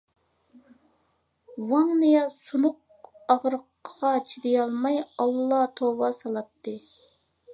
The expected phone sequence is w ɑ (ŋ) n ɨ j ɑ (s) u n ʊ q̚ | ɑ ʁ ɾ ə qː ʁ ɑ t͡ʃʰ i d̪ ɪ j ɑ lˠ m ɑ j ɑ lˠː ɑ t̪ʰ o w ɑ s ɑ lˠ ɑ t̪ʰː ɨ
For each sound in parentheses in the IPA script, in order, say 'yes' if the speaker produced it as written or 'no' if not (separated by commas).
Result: yes, yes